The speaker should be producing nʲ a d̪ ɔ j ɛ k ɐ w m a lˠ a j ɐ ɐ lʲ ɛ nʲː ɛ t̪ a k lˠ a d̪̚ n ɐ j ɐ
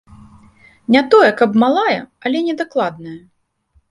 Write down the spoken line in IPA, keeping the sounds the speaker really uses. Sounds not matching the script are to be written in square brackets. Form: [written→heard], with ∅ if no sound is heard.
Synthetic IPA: nʲ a [d̪→t̪] ɔ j ɛ k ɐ [w→b] m a lˠ a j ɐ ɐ lʲ ɛ [nʲː→nʲ] ɛ [t̪→d̪] a k lˠ a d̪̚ n ɐ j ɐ